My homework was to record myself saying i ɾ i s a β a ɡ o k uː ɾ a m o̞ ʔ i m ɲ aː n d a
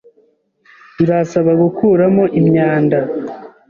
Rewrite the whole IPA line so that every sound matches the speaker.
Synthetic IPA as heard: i ɾ a s a β a ɡ u k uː ɾ a m o̞ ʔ i m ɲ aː n d a